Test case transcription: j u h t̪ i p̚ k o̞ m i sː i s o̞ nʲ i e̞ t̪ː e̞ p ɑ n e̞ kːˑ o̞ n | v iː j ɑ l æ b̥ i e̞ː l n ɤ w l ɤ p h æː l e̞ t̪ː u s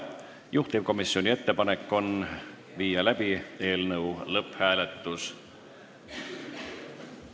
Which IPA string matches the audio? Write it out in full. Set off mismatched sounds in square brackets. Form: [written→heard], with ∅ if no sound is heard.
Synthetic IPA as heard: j u h t̪ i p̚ k o̞ m i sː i [s→∅] o̞ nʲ i e̞ t̪ː e̞ p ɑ n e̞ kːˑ o̞ n | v iː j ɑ l æ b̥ i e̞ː l n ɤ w l ɤ p h æː l e̞ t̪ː u s